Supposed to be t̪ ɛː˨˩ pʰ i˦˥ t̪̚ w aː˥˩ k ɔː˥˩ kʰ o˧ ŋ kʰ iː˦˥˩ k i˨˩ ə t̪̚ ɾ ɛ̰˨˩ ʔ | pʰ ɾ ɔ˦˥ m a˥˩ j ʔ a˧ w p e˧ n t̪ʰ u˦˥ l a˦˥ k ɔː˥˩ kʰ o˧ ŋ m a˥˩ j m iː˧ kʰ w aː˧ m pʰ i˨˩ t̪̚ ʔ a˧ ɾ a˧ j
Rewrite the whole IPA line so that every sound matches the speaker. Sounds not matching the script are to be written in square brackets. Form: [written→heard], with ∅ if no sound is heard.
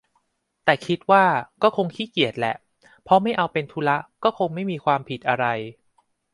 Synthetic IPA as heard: t̪ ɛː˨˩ [pʰ→kʰ] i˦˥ t̪̚ w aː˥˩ k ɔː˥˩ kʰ o˧ ŋ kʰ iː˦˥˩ k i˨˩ ə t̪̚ [ɾ→l] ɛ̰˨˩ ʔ | pʰ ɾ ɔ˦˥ m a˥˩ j ʔ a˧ w p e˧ n t̪ʰ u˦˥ l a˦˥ k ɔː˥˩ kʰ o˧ ŋ m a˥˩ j m iː˧ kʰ w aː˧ m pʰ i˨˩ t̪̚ ʔ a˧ ɾ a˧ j